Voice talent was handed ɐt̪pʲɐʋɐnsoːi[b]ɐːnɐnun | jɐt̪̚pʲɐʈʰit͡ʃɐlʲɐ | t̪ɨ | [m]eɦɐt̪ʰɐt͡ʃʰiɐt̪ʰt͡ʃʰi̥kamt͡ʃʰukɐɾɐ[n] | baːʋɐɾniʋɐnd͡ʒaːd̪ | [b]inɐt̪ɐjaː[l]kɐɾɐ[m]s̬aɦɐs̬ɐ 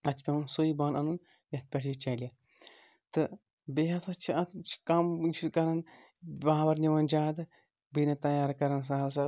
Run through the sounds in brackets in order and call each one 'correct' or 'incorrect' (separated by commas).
correct, incorrect, correct, correct, incorrect, incorrect